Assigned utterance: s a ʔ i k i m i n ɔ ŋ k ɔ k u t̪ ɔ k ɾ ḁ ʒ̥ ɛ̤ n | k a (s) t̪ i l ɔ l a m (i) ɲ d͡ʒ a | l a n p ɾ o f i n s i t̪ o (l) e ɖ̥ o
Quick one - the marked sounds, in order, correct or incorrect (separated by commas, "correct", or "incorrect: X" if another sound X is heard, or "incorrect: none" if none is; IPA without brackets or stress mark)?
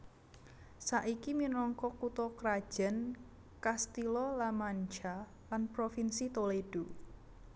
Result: correct, incorrect: a, correct